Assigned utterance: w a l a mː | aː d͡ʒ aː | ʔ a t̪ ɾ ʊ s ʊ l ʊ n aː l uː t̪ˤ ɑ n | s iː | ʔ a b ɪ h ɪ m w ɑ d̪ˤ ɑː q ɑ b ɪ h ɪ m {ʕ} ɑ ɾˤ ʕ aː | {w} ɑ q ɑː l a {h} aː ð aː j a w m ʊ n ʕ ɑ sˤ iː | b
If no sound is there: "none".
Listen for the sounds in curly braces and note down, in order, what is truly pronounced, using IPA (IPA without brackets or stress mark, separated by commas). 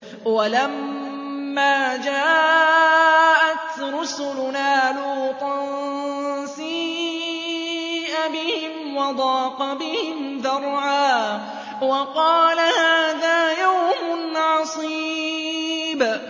ð, w, h